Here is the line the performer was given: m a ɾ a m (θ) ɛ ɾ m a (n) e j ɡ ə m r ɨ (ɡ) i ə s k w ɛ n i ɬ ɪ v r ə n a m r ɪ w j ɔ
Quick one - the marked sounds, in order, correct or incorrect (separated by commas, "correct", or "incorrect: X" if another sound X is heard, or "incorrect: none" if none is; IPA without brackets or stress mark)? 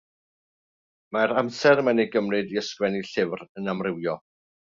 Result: incorrect: s, correct, incorrect: d